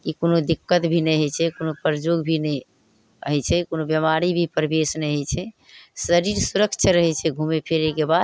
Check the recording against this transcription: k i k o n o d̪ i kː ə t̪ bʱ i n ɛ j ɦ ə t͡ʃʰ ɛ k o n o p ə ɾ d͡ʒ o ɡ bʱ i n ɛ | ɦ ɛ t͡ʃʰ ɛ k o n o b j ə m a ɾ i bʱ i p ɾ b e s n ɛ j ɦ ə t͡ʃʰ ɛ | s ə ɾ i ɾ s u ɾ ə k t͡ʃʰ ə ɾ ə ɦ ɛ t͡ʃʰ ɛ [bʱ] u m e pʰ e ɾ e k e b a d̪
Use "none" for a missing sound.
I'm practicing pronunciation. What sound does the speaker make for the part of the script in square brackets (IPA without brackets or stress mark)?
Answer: ɡʱ